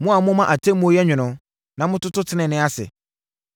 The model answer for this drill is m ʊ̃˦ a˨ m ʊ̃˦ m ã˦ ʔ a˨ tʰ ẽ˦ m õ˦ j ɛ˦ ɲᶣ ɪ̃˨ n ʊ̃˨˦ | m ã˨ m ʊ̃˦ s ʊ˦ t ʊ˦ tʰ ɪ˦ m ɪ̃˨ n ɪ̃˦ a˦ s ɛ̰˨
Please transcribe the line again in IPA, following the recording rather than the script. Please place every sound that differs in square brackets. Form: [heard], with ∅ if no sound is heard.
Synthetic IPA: m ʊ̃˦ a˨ m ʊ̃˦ m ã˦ ʔ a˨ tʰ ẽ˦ m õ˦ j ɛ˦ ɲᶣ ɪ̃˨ n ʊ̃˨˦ | [n] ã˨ m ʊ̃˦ [t] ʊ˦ t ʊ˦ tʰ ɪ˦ [n] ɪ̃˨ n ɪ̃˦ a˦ s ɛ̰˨